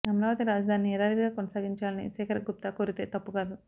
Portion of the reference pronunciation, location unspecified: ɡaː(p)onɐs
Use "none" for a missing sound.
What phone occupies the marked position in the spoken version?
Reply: k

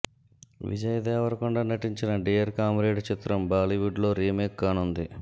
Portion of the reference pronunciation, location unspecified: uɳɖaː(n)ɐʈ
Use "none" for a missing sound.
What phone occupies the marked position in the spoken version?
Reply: n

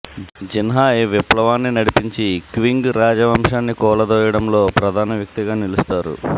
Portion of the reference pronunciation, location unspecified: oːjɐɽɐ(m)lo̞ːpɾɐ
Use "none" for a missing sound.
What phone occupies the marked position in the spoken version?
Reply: m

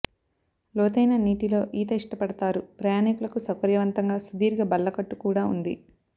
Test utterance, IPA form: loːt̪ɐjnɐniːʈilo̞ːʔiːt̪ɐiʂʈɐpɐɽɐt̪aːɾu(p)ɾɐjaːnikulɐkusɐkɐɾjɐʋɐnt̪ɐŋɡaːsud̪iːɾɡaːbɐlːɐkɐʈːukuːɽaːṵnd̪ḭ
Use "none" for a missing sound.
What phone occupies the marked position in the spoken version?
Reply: p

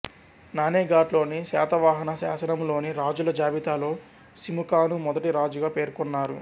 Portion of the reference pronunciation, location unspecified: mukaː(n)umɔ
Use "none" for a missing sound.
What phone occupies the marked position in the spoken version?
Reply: n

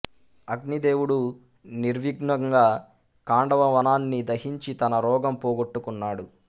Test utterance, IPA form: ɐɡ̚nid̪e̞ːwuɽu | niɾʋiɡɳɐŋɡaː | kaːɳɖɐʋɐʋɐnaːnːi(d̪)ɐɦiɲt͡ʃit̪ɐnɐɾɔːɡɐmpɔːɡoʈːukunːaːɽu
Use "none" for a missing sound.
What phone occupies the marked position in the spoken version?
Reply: d̪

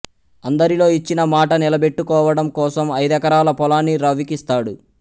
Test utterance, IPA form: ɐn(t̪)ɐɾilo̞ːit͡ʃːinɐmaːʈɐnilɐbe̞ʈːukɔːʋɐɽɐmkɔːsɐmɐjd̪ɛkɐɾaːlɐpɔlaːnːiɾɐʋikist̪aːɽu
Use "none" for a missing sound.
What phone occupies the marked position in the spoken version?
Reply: d̪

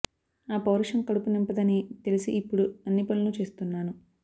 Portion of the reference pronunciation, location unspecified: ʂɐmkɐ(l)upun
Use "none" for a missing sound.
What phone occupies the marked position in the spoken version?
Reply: ɽ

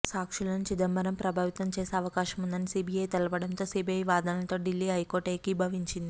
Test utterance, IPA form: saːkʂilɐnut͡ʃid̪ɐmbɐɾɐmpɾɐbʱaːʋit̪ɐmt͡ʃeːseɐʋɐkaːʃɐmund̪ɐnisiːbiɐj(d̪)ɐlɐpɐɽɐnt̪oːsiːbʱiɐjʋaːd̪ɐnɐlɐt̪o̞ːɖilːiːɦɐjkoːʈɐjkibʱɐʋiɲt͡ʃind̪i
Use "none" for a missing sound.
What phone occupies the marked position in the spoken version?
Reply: t̪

